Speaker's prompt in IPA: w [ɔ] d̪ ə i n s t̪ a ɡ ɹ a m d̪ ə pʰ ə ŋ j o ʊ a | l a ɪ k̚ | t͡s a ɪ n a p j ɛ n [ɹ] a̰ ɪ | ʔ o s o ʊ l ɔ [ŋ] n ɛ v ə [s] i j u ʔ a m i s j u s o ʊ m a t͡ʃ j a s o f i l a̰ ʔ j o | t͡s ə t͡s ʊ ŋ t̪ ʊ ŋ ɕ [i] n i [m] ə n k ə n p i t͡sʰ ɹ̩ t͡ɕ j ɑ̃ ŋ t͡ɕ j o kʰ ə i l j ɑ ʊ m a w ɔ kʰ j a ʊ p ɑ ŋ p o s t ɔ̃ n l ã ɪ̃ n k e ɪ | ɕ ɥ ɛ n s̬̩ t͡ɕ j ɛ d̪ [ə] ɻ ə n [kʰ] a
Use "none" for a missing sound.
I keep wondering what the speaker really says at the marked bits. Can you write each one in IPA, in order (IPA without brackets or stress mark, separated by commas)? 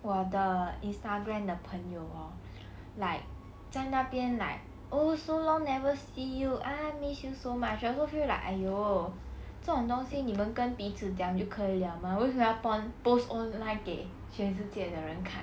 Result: ɔ, l, ŋ, s, i, m, ə, kʰ